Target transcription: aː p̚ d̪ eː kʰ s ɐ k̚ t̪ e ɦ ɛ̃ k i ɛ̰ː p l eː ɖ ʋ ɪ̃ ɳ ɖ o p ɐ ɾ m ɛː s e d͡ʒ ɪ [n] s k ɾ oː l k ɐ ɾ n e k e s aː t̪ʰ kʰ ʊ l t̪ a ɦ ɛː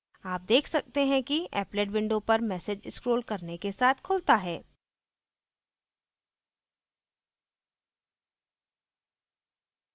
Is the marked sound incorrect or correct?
incorrect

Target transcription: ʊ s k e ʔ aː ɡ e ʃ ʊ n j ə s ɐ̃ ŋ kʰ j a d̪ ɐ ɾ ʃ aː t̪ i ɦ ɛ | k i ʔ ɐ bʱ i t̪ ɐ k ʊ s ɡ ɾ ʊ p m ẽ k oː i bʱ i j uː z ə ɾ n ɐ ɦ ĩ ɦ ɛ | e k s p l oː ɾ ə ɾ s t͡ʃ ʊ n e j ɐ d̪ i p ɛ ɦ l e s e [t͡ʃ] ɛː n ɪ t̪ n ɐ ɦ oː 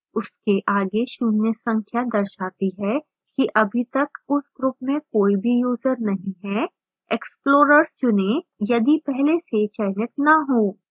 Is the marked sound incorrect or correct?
correct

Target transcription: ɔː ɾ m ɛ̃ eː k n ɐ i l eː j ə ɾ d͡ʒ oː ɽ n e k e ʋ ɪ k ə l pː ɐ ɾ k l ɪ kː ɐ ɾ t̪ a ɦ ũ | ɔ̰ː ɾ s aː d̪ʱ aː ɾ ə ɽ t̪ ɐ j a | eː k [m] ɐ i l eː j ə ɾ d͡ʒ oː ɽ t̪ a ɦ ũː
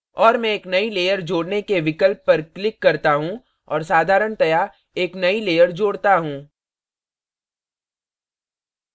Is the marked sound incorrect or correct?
incorrect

